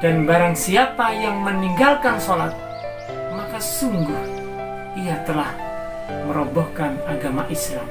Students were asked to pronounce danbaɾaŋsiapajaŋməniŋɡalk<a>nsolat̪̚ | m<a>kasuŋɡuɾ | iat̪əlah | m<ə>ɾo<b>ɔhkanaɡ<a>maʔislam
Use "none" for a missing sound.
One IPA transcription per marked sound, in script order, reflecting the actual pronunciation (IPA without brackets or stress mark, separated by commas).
a, a, ə, b, a